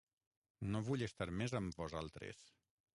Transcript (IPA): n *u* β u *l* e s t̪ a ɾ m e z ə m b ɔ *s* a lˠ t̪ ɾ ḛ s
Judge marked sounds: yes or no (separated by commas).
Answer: no, no, no